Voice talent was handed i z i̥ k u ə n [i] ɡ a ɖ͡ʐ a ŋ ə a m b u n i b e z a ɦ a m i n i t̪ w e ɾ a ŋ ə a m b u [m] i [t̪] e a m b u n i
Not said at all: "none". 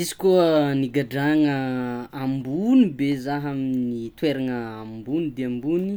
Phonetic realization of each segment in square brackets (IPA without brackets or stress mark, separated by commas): i, n, d̪